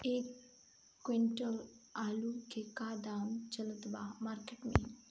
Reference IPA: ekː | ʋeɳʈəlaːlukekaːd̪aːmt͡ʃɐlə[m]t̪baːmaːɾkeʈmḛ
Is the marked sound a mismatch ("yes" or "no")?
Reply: yes